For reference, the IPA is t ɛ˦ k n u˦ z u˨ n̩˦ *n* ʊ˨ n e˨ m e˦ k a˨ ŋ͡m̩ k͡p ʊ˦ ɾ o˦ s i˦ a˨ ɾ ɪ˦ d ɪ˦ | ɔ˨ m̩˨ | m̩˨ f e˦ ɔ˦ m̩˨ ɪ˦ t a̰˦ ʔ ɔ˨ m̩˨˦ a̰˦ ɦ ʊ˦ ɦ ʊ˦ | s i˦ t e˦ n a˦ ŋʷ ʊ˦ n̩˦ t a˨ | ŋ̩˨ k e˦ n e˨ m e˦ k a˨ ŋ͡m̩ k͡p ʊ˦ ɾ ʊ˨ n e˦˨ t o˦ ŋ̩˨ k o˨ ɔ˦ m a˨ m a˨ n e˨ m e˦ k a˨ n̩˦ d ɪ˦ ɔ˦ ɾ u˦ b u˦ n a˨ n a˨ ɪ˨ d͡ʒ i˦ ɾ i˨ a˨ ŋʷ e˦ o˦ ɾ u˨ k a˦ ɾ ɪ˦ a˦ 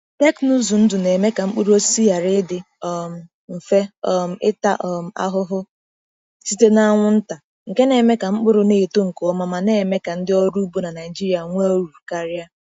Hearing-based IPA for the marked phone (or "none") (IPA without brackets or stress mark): d